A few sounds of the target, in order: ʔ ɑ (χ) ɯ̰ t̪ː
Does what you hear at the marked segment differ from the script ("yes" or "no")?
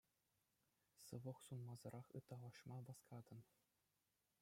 no